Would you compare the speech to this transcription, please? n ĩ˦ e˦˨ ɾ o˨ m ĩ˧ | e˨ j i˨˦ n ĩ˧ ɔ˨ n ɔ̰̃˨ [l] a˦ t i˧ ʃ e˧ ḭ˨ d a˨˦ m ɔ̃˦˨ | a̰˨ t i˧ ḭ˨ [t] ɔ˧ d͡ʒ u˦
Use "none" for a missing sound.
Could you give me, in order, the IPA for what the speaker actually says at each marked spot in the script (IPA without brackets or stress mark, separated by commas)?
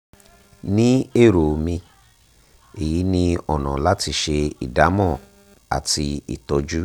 l, t